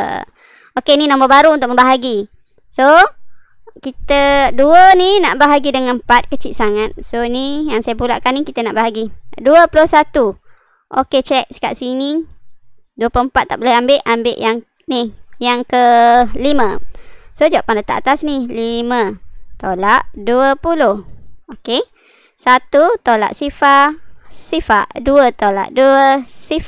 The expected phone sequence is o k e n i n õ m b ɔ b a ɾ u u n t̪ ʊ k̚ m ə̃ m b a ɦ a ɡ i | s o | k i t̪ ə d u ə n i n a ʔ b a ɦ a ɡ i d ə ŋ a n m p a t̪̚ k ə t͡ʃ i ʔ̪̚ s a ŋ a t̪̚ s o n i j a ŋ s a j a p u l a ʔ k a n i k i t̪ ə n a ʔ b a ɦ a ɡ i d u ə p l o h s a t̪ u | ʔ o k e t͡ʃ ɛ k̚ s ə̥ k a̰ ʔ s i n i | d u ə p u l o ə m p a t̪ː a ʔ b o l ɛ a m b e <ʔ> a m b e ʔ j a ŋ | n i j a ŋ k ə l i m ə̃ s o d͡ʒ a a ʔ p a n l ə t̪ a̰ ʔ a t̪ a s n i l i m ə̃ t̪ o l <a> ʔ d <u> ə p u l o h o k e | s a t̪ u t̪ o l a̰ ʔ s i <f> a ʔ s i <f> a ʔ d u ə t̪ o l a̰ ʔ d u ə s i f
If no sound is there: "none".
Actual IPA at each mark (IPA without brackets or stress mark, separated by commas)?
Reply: ʔ, a, u, f, f